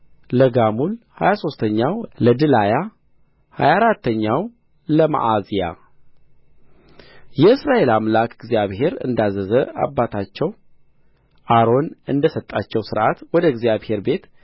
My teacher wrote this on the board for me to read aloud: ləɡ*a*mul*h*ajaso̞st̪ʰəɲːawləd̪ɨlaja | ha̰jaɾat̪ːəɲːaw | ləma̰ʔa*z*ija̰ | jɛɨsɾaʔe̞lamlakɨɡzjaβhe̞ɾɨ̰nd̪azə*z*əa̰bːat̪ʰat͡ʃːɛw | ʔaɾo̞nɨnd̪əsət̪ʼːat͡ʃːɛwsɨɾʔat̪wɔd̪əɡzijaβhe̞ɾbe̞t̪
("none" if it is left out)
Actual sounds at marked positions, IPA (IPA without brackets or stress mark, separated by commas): a, h, z, z